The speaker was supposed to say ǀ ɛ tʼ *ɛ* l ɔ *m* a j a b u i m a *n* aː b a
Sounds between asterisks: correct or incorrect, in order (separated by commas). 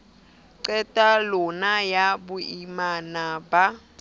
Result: incorrect, incorrect, correct